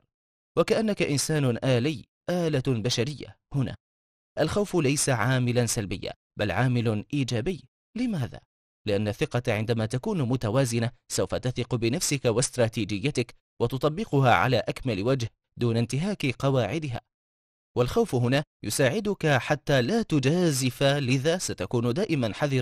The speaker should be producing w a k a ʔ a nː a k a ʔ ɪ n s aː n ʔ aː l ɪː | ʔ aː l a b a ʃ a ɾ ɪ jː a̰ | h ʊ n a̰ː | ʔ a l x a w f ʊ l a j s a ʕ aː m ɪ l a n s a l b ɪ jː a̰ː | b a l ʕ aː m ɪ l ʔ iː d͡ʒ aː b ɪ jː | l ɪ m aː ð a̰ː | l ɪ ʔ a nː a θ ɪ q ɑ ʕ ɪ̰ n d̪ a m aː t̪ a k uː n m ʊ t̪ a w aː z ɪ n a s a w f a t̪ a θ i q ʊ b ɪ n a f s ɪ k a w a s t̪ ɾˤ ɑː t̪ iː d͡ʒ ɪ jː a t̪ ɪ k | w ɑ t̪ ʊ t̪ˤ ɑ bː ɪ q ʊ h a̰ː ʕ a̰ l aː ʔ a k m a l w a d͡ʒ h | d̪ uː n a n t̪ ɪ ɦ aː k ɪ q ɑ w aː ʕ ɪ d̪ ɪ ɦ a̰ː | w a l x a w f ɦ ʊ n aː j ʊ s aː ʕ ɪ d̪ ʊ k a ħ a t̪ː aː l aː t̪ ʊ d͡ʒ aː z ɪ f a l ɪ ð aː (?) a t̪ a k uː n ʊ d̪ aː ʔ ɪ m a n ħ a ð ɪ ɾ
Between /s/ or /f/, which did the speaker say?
s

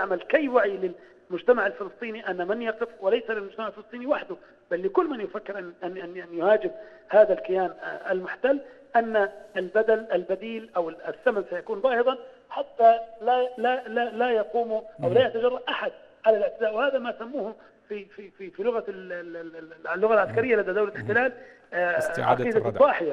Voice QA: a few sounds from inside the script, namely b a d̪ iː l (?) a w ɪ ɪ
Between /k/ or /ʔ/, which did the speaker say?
ʔ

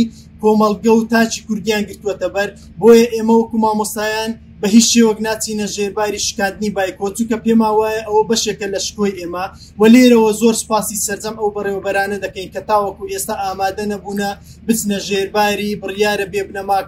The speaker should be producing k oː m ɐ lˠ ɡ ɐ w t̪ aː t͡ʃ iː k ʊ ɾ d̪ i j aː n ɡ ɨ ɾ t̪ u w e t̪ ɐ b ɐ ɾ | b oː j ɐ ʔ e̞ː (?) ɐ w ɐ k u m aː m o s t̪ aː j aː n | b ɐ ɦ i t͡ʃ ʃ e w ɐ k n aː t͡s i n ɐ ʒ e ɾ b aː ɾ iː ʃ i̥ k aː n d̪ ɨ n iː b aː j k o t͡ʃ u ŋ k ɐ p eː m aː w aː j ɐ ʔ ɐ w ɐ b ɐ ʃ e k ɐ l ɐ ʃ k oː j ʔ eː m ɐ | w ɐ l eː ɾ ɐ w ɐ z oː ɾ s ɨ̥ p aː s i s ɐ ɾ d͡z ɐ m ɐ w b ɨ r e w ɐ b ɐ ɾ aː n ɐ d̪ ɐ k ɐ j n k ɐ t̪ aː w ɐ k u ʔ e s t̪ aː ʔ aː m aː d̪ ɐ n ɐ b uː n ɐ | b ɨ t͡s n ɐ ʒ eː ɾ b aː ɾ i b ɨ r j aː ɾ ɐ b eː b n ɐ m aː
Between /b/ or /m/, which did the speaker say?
m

